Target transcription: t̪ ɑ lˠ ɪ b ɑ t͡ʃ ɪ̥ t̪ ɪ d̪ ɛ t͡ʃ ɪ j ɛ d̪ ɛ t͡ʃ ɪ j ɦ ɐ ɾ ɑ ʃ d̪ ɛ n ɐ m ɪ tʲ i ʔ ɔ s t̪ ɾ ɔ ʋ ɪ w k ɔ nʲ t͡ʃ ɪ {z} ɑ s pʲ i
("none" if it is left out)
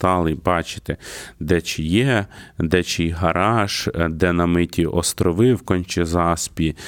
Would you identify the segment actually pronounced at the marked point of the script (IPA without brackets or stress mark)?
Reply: z